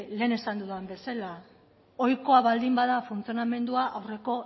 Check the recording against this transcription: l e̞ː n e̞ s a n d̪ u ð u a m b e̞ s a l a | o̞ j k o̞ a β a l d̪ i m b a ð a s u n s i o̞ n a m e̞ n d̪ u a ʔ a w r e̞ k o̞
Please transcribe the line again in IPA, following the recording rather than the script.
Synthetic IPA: l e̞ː n e̞ s a n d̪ u ð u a m b e̞ s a l a | o̞ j k o̞ a β a l d̪ i m b a ð a f u n t͡s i o̞ n a m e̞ n d̪ u a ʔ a w r e̞ k o̞

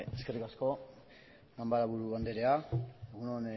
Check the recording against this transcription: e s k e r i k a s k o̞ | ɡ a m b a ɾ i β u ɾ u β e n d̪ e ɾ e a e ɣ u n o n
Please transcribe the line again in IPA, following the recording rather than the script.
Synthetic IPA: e s k e r i k a s k o̞ | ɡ a m b a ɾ a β u ɾ u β a n d̪ e ɾ e a e ɣ u n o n

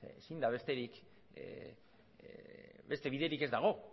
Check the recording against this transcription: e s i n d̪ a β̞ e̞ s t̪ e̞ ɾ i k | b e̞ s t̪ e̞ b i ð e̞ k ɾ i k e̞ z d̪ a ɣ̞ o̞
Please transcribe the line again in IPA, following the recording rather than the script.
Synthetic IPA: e s i n d̪ a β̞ e̞ s t̪ e̞ ɾ i k | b e̞ s t̪ e̞ β i ð e̞ ɾ i k e̞ z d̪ a ɣ̞ o̞

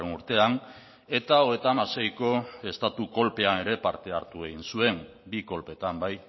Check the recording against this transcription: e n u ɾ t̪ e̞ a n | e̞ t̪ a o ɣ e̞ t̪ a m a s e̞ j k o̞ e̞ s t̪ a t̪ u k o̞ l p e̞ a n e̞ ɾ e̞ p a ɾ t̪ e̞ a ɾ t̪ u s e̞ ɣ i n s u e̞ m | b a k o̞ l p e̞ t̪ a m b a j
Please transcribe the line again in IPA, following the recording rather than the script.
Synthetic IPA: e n u ɾ t̪ e̞ a n | e̞ t̪ a o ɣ e̞ t̪ a m a s e̞ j k o̞ e̞ s t̪ a t̪ u k o̞ l p e̞ a n e̞ ɾ e̞ p a ɾ t̪ e̞ a ɾ t̪ u e̞ ɣ i n s u e̞ m | b i k o̞ l p e̞ t̪ a m b a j

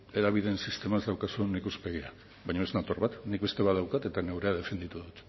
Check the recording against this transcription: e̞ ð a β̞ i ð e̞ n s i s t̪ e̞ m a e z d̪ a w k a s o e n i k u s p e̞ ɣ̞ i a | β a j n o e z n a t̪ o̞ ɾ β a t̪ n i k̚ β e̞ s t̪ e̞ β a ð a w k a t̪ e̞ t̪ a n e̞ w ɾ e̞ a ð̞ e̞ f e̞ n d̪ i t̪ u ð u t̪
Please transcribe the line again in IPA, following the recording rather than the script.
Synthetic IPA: e̞ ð a β̞ i ð e̞ n s i s t̪ e̞ m a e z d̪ a w k a s u e n i k u s p e̞ ɣ̞ i a | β a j ɲ o e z n a t̪ o̞ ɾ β a t̪ n i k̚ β e̞ s t̪ e̞ β a ð a w k a t̪ e̞ t̪ a n e̞ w ɾ e̞ a ð̞ e̞ f e̞ n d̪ i t̪ u ð u t̪

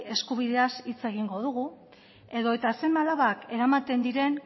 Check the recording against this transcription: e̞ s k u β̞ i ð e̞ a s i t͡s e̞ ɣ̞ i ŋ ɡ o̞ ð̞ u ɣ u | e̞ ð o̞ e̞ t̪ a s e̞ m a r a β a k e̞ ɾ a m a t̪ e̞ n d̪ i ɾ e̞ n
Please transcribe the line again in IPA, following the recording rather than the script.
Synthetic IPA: e̞ s k u β̞ i ð e̞ a s i t͡s e̞ ɣ̞ i ŋ ɡ o̞ ð̞ u ɣ u | e̞ ð o̞ e̞ t̪ a s e̞ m a l a β a k e̞ ɾ a m a t̪ e̞ n d̪ i ɾ e̞ n

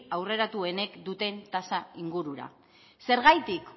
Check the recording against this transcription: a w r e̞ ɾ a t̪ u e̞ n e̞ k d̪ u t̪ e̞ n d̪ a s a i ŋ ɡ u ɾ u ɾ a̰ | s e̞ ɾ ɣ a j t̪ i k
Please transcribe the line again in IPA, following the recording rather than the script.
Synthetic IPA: a w r e̞ ɾ a t̪ u e̞ n e̞ k d̪ u t̪ e̞ n t̪ a s a i ŋ ɡ u ɾ u ɾ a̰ | s e̞ ɾ ɣ a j t̪ i k

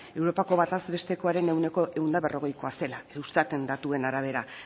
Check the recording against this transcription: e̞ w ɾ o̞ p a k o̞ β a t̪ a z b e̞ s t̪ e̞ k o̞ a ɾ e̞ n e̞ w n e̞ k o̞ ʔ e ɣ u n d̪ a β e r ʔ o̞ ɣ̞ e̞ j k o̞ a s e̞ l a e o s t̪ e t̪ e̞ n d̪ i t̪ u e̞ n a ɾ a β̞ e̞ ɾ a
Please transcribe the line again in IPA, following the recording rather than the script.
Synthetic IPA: e̞ w ɾ o̞ p a k o̞ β a t̪ a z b e̞ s t̪ e̞ k o̞ a ɾ e̞ n e̞ w n e̞ k o̞ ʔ e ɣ u n d̪ a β e r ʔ o̞ ɣ̞ e̞ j k o̞ a s e̞ l a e u s t̪ a t̪ e̞ n d̪ a t̪ u e̞ n a ɾ a β̞ e̞ ɾ a

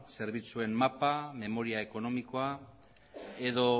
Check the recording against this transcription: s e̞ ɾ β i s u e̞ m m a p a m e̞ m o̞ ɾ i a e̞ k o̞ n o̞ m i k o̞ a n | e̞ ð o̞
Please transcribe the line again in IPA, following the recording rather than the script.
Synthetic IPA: s e̞ ɾ β i t͡s u e̞ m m a p a m e̞ m o̞ ɾ i a e̞ k o̞ n o̞ m i k o̞ a | e̞ ð o̞

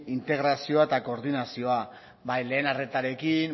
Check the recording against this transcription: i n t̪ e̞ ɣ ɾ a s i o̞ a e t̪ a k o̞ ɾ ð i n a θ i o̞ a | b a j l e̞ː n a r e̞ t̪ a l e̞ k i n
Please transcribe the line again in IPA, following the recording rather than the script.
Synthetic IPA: i n t̪ e̞ ɣ ɾ a s i o̞ a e t̪ a k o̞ ɾ ð i n a s i o̞ a | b a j l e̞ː n a r e̞ t̪ a ɾ e̞ k i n

